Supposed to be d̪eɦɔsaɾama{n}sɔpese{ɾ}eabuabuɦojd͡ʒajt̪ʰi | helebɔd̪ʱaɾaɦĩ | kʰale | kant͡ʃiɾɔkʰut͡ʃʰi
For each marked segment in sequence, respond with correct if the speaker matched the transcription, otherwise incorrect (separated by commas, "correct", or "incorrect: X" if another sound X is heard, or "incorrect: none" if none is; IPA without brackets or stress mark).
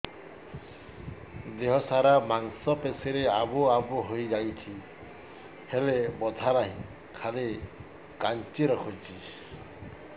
incorrect: ŋ, correct